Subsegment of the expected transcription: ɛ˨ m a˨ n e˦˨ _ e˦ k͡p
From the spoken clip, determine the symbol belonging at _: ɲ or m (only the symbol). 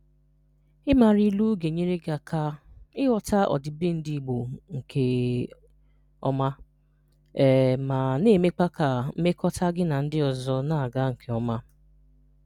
m